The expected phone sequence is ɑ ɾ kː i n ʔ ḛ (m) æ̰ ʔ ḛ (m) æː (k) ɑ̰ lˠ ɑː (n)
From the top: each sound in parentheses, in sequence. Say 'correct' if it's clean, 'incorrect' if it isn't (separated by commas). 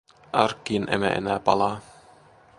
correct, incorrect, incorrect, incorrect